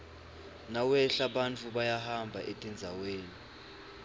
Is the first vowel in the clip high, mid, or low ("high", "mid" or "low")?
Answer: low